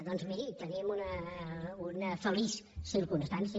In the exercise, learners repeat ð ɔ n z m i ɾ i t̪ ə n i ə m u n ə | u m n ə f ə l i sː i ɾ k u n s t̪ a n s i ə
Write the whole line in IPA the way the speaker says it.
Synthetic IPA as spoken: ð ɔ n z m i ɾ i t̪ ə n i ə m u n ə | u n ə f ə l i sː i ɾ k u n s t̪ a n s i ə